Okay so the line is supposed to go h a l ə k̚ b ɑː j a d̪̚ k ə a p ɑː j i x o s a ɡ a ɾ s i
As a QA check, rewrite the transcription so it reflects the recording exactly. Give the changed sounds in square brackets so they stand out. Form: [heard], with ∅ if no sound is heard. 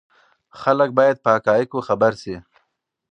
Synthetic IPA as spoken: [x] a l ə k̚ b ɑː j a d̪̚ [p] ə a [k] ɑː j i [k] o [x] a [b] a ɾ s i